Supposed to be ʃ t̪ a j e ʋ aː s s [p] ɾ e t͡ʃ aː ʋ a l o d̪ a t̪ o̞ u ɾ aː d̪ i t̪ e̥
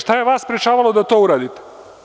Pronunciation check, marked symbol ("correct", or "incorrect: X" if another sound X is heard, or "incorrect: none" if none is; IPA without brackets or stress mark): correct